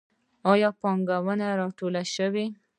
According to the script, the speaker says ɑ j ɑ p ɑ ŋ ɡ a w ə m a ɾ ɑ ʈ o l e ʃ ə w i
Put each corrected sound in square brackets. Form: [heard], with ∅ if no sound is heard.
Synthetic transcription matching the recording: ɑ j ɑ p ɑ ŋ ɡ a w ə [n] a ɾ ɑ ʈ o l [a] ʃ ə w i